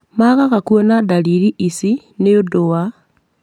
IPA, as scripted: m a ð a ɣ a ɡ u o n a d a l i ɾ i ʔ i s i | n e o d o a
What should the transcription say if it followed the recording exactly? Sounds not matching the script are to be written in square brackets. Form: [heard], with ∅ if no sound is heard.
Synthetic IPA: m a [ɣ] a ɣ a [k] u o n a d a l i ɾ i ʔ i s i | n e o d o a